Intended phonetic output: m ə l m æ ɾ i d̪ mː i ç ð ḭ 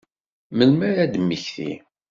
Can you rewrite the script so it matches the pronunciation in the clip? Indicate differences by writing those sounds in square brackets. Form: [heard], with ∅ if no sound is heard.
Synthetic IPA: m ə l m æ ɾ [æ] d̪ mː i ç [θ] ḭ